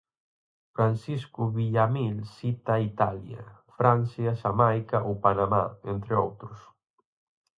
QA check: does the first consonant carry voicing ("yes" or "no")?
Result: no